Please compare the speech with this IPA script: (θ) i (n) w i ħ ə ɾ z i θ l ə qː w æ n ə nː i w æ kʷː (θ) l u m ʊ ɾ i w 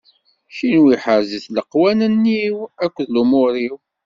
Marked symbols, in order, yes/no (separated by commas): no, yes, no